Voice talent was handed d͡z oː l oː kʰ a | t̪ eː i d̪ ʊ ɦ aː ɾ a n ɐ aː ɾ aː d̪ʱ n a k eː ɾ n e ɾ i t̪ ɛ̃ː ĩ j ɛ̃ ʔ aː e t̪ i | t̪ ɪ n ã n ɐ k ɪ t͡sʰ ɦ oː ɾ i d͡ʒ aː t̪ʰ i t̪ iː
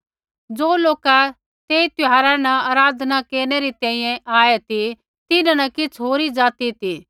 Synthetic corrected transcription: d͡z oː l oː k a | t̪ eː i t̪ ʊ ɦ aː ɾ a n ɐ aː ɾ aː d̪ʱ n a k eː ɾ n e ɾ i t̪ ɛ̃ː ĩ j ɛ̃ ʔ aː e t̪ i | t̪ ɪ n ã n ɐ k ɪ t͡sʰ ɦ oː ɾ i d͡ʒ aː t̪ i t̪ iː

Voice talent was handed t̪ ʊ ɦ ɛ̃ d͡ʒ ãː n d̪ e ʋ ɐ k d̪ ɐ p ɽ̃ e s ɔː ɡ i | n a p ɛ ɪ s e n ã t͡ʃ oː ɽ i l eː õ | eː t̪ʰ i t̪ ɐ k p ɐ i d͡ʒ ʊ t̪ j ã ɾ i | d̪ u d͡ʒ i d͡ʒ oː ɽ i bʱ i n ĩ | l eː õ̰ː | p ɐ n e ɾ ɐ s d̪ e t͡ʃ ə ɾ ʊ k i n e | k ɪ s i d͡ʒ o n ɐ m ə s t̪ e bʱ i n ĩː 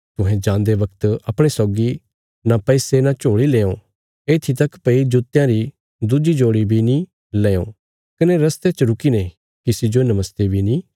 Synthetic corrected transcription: t̪ ʊ ɦ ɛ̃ d͡ʒ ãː n d̪ e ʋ ɐ k t̪ ɐ p ɽ̃ e s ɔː ɡ i | n a p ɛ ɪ s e n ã t͡ʃ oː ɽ i l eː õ | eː t̪ʰ i t̪ ɐ k p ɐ i d͡ʒ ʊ t̪ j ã ɾ i | d̪ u d͡ʒ i d͡ʒ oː ɽ i bʱ i n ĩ | l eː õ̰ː | k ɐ n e ɾ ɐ s t̪ e t͡ʃ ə ɾ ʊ k i n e | k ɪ s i d͡ʒ o n ɐ m ə s t̪ e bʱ i n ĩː

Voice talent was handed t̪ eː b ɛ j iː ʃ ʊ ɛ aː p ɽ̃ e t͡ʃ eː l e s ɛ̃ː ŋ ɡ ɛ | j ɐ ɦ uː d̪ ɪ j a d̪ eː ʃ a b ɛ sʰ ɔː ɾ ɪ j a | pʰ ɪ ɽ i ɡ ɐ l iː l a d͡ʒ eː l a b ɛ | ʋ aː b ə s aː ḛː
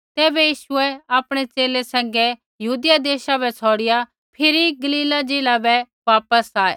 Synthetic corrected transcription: t̪ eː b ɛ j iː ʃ ʊ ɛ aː p ɽ̃ e t͡ʃ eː l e s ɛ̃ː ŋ ɡ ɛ | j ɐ ɦ uː d̪ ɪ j a d̪ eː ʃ a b ɛ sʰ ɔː ɽ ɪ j a | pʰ ɪ ɾ i ɡ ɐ l iː l a d͡ʒ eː l a b ɛ | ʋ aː p ə s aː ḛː

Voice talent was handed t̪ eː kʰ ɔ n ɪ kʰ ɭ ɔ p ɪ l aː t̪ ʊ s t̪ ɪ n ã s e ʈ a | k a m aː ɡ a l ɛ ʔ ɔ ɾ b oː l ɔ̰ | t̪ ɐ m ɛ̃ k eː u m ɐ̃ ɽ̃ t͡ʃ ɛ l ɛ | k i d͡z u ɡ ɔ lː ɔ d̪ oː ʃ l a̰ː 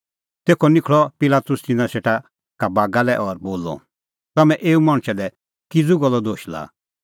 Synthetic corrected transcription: t̪ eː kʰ ɔ n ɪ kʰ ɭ ɔ p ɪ l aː t̪ ʊ s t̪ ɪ n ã s e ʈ a | k a b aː ɡ a l ɛ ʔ ɔ ɾ b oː l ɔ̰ | t̪ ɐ m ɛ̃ ʔ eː u m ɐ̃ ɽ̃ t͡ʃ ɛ l ɛ | k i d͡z u ɡ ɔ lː ɔ d̪ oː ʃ l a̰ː

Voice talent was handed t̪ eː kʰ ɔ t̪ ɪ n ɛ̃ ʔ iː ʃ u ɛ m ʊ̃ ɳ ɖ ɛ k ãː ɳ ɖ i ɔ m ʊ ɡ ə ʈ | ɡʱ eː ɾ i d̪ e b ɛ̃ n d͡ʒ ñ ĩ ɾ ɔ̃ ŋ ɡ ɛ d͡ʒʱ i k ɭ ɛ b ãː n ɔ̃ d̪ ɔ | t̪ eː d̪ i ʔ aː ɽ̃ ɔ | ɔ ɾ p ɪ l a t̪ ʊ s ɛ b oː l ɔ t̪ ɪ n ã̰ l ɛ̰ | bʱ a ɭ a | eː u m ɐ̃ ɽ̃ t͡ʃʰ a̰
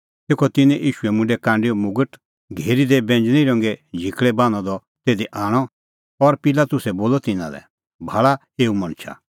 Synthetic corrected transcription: t̪ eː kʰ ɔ t̪ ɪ n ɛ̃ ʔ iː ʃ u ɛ m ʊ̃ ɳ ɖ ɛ k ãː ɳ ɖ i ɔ m ʊ ɡ ə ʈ | ɡʱ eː ɾ i d̪ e b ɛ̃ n d͡ʒ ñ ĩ ɾ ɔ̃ ŋ ɡ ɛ d͡ʒʱ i k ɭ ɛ b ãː n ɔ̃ d̪ ɔ | t̪ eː d̪ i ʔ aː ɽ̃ ɔ | ɔ ɾ p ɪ l a t̪ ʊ s ɛ b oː l ɔ t̪ ɪ n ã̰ l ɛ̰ | bʱ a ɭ a | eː u m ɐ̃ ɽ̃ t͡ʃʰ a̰

